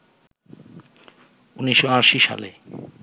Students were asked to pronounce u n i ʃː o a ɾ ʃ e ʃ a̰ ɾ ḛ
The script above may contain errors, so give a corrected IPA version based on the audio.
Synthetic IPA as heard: u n i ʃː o a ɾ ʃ i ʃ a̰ l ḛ